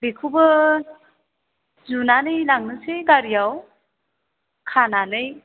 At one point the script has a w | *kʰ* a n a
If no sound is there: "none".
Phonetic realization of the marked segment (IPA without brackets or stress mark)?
kʰ